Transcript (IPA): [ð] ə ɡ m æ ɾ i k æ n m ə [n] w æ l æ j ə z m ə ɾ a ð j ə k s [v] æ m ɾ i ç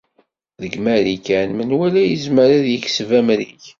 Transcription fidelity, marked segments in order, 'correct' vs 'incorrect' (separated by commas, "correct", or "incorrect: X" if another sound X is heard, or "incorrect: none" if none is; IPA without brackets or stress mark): correct, correct, correct